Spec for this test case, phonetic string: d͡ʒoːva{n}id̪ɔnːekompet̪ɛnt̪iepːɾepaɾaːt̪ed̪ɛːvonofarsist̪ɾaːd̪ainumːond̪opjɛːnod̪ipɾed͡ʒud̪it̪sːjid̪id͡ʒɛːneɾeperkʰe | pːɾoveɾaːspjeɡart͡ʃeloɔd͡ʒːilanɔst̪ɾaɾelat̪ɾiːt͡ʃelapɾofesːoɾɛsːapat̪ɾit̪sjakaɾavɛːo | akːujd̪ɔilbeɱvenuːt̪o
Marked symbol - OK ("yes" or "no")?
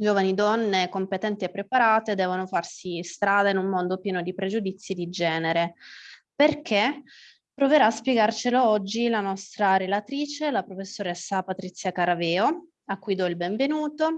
yes